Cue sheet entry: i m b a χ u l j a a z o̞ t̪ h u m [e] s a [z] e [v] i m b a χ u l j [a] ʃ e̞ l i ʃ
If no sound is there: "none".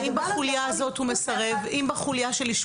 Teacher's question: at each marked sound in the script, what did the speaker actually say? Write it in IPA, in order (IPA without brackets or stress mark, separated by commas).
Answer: e, ʁ, v, a